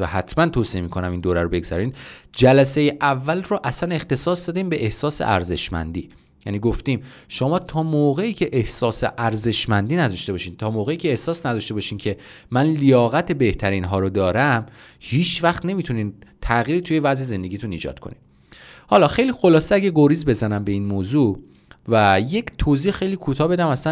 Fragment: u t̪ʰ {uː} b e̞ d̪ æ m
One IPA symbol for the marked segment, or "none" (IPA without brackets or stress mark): ɒː